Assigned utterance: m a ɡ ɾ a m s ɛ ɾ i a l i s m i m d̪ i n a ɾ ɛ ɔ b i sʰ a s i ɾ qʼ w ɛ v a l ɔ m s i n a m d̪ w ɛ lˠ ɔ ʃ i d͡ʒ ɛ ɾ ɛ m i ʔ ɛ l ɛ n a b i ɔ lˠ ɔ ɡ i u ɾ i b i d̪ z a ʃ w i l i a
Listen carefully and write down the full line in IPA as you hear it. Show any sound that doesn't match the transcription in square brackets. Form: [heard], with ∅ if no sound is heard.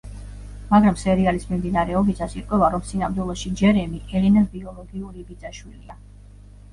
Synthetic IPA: m a ɡ ɾ a m s ɛ ɾ i a l i s m i m d̪ i n a ɾ ɛ ɔ b i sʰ a s i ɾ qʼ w ɛ v a [ɾ] ɔ m s i n a m d̪ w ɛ lˠ ɔ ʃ i d͡ʒ ɛ ɾ ɛ m i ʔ ɛ l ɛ n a b i ɔ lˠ ɔ ɡ i u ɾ i b i d̪ z a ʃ w i l i a